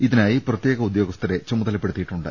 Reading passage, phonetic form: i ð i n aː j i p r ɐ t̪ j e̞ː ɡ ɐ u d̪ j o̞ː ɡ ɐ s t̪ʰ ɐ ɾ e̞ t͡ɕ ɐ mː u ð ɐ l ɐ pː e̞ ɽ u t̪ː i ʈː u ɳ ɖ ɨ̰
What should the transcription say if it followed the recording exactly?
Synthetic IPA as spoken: i ð i n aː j i p r ɐ t̪ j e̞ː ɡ ɐ u d̪ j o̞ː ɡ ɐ s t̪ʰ ɐ ɾ e̞ t͡ɕ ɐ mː u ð ɐ l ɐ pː e̞ ɽ u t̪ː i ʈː u ɳ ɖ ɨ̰